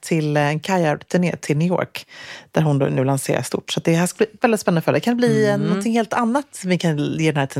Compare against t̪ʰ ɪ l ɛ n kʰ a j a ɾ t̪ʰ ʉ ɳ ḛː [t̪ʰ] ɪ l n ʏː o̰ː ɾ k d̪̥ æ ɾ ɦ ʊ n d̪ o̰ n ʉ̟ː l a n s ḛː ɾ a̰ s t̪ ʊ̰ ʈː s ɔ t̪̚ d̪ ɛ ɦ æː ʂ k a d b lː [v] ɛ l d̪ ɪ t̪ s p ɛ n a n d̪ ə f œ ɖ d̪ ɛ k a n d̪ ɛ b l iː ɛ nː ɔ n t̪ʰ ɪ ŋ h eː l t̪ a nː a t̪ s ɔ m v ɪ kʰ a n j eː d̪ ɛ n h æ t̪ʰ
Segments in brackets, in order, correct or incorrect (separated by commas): correct, correct